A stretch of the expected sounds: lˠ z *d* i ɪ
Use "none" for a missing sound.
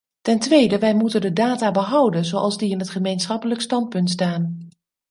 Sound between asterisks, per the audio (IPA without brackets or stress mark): d